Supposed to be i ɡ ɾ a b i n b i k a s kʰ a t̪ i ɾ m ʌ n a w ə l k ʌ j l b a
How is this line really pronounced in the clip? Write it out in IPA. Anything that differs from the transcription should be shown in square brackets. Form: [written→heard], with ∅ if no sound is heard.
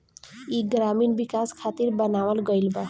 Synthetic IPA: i ɡ ɾ a [b→m] i n b i k a s kʰ a t̪ i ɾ [m→b] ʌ n a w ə l [k→ɡ] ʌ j l b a

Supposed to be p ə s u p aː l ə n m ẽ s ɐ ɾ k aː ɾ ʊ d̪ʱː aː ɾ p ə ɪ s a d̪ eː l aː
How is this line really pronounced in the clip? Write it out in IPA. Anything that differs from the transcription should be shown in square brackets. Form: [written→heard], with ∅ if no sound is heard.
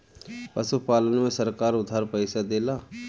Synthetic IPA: p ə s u p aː l ə n m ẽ s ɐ ɾ k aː ɾ ʊ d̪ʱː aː ɾ p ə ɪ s a d̪ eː l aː

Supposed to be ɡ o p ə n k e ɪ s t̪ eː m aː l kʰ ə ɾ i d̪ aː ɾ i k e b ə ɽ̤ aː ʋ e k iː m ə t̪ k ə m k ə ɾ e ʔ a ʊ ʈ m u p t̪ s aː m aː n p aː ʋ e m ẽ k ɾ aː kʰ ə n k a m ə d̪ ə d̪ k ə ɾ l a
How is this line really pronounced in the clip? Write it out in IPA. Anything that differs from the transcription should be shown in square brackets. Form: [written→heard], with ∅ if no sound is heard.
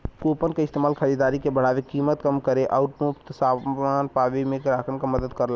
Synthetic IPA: [ɡ→k] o p ə n k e ɪ s t̪ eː m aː l kʰ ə ɾ i d̪ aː ɾ i k e b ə ɽ̤ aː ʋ e k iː m ə t̪ k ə m k ə ɾ e ʔ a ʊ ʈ m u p t̪ s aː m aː n p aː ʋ e m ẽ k ɾ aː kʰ ə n k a m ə d̪ ə d̪ k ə ɾ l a

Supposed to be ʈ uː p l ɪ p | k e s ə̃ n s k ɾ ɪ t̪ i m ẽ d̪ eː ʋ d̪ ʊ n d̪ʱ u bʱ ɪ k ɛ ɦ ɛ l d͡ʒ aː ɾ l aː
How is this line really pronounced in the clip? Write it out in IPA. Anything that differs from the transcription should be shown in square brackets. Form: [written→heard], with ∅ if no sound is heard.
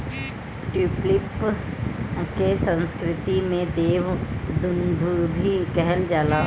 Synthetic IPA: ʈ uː p l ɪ p | k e s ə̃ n s k ɾ ɪ t̪ i m ẽ d̪ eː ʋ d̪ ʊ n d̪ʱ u bʱ [ɪ→i] k ɛ ɦ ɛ l d͡ʒ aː [ɾ→∅] l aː

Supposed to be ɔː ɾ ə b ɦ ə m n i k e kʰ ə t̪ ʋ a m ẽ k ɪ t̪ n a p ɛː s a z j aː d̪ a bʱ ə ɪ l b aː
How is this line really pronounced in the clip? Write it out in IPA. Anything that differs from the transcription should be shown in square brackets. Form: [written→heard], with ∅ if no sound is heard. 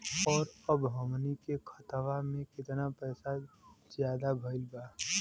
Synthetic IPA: ɔː ɾ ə b ɦ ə m n i k e kʰ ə t̪ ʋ a m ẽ k ɪ t̪ n a p ɛː s a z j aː d̪ a bʱ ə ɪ l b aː

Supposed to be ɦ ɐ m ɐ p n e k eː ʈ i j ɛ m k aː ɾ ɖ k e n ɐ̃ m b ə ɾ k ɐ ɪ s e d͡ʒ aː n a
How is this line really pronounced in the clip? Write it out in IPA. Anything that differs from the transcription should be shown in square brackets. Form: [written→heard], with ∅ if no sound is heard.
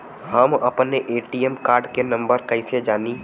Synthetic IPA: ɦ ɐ m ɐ p n e [k→ʔ] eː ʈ i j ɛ m k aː ɾ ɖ k e n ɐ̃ m b ə ɾ k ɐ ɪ s e d͡ʒ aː n [a→i]

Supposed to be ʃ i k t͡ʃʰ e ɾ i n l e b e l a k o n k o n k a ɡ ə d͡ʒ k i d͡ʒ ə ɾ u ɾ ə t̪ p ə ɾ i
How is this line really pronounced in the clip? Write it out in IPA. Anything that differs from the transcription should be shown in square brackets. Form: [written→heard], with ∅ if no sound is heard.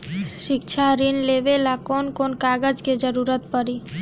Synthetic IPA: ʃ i k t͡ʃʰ [e→a] ɾ i n l e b e l a k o n k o n k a ɡ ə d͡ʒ k [i→e] d͡ʒ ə ɾ u ɾ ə t̪ p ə ɾ i

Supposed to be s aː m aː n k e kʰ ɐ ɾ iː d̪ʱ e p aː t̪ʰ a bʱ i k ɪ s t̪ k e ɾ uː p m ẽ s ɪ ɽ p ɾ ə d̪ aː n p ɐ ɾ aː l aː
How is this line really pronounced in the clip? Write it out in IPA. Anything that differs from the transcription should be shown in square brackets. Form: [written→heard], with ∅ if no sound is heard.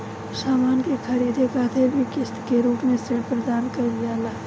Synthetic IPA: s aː m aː n k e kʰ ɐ ɾ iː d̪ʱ e [p→k] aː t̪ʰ [a→e] bʱ i k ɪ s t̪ k e ɾ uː p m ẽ s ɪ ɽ p ɾ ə d̪ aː n [p→k] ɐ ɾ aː l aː

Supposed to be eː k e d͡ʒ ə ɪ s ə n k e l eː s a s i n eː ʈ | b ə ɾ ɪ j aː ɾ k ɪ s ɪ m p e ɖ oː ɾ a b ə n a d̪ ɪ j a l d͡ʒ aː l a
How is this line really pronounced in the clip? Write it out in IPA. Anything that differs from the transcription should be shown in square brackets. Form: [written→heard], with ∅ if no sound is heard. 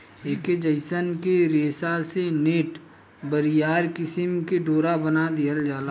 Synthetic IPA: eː k e d͡ʒ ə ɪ s ə n k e [l→ɾ] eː s a s [i→e] n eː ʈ | b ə ɾ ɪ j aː ɾ k ɪ s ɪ m [p→k] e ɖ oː ɾ a b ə n a d̪ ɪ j [a→ə] l d͡ʒ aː l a

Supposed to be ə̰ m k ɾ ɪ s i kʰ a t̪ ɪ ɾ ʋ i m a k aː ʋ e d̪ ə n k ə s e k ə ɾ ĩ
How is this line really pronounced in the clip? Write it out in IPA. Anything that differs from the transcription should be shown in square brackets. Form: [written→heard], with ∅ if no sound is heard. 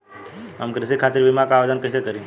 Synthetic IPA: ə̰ m k ɾ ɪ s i kʰ a t̪ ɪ ɾ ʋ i m a k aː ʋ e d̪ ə n k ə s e k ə ɾ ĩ

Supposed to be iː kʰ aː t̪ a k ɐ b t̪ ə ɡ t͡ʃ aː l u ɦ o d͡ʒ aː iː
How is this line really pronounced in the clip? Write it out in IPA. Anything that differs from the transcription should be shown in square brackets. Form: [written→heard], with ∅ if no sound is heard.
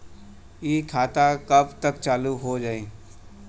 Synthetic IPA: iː kʰ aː t̪ a k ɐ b t̪ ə [ɡ→k] t͡ʃ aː l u ɦ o d͡ʒ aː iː

